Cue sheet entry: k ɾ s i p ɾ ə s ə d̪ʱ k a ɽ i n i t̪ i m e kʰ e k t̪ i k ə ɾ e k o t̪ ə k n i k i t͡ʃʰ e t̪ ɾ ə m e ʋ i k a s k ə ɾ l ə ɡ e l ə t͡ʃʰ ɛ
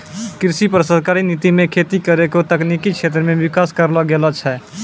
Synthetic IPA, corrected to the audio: k ɾ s i p ɾ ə s ə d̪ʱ k a ɾ i n i t̪ i m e kʰ e t̪ i k ə ɾ e k o t̪ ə k n i k i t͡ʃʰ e t̪ ɾ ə m e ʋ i k a s k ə ɾ l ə ɡ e l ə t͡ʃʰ ɛ